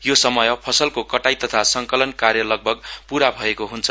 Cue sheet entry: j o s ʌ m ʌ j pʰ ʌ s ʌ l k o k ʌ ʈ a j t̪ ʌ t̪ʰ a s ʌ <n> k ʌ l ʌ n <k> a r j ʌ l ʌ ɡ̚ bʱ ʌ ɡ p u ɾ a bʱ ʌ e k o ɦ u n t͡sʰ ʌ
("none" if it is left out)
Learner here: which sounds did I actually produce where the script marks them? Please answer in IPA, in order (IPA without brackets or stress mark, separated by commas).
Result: ŋ, k